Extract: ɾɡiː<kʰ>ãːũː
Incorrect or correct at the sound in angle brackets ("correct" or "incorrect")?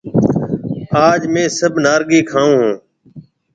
correct